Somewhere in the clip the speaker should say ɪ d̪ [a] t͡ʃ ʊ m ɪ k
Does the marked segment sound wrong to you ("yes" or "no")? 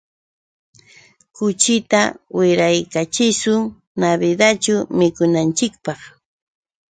no